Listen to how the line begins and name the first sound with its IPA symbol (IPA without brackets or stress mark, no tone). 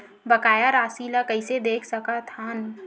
b